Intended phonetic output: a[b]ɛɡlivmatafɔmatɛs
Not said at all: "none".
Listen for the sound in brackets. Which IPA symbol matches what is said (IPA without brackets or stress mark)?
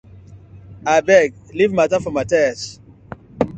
b